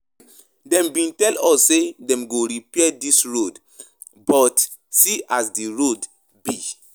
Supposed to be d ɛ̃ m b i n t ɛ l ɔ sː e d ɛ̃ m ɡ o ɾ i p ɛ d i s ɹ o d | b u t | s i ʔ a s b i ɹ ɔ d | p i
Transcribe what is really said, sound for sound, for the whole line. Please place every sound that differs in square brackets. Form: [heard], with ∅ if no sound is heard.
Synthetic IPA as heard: d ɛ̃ m b [ĩ] n t ɛ l ɔ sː e d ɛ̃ m ɡ o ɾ i p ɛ d i s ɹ o d | b [ɔ] t | s i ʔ a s [d] i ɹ [o] d | [b] i